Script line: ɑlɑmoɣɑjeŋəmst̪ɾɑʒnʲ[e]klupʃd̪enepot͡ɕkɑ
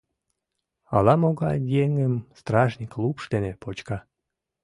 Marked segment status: incorrect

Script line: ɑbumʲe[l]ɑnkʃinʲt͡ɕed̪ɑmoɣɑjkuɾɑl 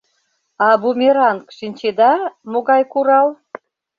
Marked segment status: incorrect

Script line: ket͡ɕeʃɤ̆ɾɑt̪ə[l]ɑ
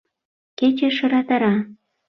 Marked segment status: incorrect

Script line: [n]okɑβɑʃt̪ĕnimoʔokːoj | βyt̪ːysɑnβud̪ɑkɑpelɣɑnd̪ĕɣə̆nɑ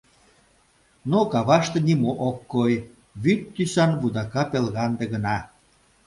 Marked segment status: correct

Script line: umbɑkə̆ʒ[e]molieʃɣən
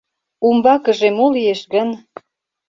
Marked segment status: correct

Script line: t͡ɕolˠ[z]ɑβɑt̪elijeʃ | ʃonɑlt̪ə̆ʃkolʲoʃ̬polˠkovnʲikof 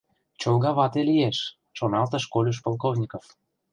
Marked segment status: incorrect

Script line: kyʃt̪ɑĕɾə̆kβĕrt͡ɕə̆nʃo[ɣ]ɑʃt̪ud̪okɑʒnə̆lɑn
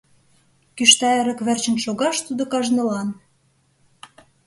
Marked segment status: correct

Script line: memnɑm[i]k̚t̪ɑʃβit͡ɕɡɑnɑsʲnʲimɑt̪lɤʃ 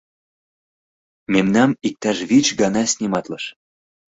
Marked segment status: correct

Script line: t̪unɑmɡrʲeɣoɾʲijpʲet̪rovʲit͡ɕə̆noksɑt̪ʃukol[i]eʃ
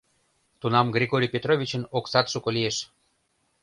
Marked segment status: correct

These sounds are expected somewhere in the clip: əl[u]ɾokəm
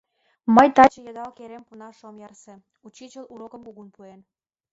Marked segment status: correct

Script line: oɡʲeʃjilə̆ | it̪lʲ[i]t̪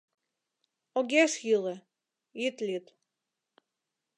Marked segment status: correct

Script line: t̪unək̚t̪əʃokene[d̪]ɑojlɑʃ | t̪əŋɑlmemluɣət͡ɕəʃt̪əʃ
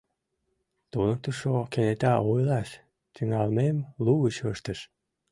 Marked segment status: incorrect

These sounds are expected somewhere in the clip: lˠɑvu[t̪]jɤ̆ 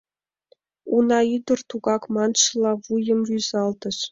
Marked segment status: incorrect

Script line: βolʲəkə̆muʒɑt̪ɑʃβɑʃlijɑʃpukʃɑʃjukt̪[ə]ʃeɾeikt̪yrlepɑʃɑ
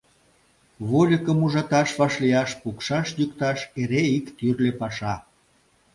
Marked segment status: incorrect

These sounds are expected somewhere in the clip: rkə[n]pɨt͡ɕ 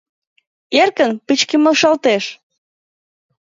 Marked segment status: correct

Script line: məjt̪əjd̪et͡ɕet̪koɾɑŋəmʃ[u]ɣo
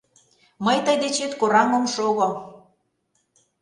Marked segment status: incorrect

